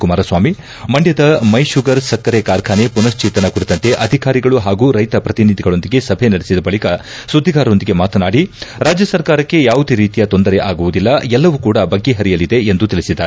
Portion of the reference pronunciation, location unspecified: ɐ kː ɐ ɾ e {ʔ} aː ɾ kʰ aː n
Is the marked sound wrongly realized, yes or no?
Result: yes